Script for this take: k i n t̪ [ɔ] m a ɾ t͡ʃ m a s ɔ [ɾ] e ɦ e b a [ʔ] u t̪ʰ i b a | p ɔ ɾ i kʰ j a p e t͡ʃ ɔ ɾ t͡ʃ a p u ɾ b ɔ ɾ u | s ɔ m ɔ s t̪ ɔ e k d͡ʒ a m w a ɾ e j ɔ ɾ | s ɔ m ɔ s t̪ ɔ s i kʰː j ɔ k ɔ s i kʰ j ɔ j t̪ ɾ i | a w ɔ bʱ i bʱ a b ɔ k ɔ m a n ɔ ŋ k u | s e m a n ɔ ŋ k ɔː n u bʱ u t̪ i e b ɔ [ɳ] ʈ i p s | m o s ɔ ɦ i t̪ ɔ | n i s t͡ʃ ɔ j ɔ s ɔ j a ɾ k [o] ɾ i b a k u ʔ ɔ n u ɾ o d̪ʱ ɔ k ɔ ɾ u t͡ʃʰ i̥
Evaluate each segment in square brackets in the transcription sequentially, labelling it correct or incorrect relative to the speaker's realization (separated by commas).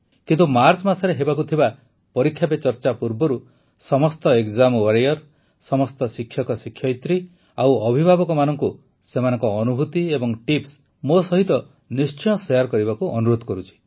incorrect, correct, incorrect, incorrect, incorrect